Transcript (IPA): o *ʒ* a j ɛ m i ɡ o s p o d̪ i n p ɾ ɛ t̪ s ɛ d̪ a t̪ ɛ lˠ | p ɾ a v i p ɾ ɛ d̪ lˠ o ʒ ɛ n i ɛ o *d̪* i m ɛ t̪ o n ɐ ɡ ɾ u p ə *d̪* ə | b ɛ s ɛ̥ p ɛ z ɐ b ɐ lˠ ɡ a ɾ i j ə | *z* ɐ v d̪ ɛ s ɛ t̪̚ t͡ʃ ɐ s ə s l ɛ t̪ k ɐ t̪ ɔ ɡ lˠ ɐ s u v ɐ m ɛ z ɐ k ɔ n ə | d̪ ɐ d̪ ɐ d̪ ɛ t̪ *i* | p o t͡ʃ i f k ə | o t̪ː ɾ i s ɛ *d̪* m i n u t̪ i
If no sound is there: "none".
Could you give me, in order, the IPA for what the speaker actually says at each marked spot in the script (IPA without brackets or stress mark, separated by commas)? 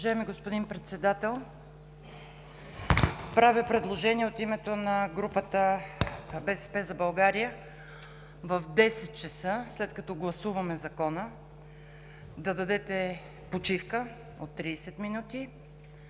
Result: ʒ, t̪, t̪, v, ɛ, t̪